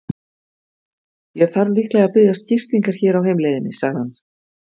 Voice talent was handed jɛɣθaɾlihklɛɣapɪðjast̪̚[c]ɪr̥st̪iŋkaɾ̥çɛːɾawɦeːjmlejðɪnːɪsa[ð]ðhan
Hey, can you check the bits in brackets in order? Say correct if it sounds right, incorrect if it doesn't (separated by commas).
correct, incorrect